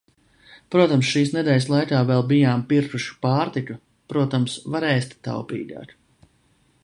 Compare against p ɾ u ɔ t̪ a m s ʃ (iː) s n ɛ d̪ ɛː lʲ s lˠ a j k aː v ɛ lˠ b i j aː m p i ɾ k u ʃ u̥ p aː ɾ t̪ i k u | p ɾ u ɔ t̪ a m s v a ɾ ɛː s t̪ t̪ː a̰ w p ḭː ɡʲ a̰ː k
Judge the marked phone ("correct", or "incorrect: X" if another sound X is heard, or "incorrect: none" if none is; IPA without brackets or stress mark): correct